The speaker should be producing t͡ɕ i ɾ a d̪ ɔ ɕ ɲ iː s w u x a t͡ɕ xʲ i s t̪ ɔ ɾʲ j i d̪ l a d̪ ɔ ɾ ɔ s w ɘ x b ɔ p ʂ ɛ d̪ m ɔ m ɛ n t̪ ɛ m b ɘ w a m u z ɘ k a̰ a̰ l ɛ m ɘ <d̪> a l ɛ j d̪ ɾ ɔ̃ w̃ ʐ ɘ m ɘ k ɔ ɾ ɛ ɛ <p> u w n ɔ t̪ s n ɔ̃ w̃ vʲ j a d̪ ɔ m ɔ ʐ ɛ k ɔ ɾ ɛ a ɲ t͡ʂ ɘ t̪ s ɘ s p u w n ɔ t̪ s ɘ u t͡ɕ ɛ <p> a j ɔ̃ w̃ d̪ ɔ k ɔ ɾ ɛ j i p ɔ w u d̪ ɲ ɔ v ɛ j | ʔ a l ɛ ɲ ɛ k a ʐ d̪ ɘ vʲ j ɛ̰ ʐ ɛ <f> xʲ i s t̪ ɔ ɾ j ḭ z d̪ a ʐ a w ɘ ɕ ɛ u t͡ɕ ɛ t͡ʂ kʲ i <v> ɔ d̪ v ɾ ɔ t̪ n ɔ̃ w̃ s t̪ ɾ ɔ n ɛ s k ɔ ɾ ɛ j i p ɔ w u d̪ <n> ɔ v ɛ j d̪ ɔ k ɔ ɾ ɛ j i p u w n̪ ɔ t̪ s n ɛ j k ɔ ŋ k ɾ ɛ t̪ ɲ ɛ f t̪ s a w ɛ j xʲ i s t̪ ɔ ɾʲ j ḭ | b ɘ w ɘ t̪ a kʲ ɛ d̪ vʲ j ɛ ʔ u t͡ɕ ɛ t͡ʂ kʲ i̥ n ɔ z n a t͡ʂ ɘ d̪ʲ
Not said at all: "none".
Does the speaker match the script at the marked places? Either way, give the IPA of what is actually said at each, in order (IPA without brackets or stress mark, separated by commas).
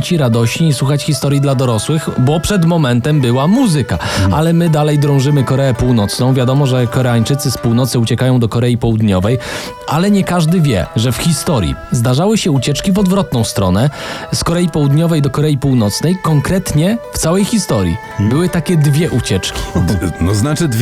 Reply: d̪, p, k, f, v, ɲ